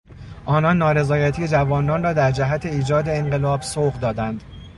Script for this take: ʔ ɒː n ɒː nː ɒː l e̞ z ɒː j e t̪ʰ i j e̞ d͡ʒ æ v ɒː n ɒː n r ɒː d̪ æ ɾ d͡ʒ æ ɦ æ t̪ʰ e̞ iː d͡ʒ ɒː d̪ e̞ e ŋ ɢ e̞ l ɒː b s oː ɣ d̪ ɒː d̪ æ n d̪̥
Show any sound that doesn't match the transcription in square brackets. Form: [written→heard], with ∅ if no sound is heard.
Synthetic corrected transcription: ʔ ɒː n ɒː nː ɒː [l→ɾ] e̞ z ɒː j [e→æ] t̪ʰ i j e̞ d͡ʒ æ v ɒː n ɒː n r ɒː d̪ æ ɾ d͡ʒ æ ɦ æ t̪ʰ e̞ iː d͡ʒ ɒː d̪ e̞ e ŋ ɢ e̞ l ɒː b s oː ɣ d̪ ɒː d̪ æ n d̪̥